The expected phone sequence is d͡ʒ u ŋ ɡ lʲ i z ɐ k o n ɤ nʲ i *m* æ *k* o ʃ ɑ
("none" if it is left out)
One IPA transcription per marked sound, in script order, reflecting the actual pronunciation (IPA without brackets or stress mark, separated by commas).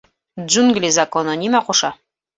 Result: m, q